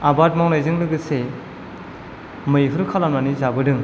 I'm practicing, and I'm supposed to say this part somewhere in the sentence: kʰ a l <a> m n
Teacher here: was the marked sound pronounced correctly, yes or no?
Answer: yes